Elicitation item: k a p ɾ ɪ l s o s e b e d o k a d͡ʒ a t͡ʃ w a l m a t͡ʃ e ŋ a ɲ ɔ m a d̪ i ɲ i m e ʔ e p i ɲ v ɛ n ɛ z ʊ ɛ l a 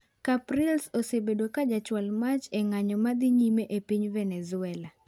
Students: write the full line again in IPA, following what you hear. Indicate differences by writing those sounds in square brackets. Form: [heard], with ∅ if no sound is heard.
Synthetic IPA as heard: k a p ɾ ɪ l s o s e b e d o k a d͡ʒ a t͡ʃ w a l m a t͡ʃ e ŋ a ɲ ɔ m a d̪ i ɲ i m e ʔ e p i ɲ v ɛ n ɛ z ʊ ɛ l a